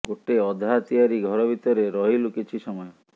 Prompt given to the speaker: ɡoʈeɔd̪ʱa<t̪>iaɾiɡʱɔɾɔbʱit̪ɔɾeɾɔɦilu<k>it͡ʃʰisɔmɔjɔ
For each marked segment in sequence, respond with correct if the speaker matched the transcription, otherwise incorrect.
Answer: correct, correct

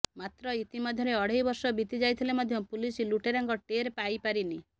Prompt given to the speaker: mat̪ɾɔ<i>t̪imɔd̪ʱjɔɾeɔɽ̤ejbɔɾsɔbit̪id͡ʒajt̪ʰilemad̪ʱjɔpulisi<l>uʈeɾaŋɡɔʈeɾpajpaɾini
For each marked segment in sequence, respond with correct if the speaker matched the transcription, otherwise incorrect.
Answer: correct, correct

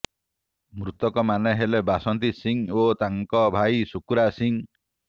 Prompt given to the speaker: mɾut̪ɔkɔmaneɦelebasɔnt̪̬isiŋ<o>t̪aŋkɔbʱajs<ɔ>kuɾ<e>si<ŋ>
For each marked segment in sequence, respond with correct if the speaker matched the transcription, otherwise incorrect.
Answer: correct, incorrect: u, incorrect: a, correct

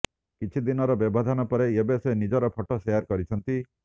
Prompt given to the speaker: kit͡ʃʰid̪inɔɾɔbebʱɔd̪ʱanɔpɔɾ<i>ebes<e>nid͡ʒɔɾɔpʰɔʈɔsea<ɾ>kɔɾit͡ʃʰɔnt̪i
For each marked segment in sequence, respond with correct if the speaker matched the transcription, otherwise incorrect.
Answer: incorrect: e, correct, correct

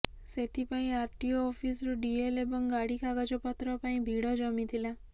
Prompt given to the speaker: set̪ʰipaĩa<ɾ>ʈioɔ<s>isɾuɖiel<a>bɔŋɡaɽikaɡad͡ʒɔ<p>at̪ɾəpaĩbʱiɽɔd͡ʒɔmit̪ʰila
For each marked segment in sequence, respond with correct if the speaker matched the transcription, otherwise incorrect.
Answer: correct, incorrect: f, incorrect: e, correct

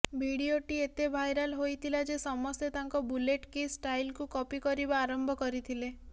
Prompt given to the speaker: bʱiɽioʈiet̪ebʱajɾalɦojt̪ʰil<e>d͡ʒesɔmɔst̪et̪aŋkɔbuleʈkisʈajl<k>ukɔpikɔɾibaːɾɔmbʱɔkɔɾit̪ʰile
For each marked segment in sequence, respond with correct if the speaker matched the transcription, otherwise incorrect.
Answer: incorrect: a, correct

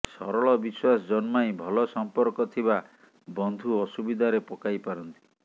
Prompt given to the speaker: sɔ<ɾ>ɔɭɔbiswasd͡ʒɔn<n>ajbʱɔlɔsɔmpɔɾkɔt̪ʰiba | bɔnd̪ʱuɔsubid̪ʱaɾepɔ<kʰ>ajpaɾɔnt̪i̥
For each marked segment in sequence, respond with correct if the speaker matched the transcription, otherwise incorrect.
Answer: correct, incorrect: m, incorrect: k

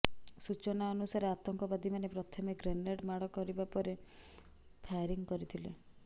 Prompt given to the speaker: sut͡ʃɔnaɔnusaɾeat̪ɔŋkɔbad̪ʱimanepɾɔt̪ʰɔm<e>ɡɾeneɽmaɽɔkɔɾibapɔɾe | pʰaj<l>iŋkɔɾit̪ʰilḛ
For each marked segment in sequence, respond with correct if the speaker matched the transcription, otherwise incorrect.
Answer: correct, incorrect: ɾ

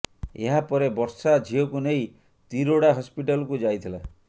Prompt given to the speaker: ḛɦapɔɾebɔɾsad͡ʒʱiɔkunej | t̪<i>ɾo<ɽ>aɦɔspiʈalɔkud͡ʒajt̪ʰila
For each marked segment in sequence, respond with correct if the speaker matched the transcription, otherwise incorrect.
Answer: correct, correct

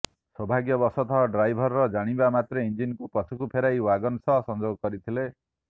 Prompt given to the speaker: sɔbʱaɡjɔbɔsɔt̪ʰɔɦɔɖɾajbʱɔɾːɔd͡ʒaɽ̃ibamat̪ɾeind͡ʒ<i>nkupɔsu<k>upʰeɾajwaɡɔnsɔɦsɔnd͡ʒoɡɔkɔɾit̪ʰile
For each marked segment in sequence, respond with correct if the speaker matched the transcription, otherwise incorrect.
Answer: correct, correct

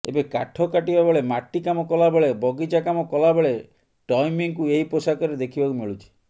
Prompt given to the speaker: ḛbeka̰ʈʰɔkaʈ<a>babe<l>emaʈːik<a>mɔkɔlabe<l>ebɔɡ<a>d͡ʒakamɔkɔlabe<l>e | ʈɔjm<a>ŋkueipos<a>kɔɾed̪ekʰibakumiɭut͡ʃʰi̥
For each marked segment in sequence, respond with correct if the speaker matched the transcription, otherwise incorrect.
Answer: incorrect: i, incorrect: ɭ, correct, incorrect: ɭ, incorrect: i, incorrect: ɭ, incorrect: i, correct

